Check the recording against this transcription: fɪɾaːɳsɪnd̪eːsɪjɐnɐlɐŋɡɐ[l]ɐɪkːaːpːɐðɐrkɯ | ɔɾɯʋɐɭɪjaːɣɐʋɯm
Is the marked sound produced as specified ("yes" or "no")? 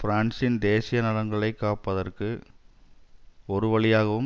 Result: no